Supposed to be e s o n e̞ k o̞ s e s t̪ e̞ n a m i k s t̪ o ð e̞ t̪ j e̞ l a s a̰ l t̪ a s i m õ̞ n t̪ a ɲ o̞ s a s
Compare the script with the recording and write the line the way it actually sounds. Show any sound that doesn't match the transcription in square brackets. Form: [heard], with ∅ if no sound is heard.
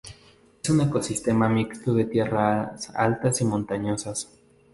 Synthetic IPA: e s [u] n e̞ k o̞ s [i] s t̪ e̞ [m] a m i k s t̪ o ð e̞ t̪ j e̞ [r] a s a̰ l t̪ a s i m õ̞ n t̪ a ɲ o̞ s a s